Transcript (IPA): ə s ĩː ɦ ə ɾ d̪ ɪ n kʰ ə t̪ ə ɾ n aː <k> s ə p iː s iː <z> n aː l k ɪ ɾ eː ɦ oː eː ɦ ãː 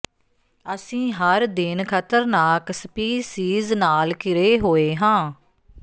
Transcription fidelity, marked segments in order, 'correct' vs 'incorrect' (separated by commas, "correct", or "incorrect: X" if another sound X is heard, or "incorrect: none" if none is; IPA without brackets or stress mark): correct, correct